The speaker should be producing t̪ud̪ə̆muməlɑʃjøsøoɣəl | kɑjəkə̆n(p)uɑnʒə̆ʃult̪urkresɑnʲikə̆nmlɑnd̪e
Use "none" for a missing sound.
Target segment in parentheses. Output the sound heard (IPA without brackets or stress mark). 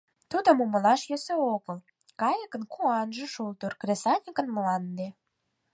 k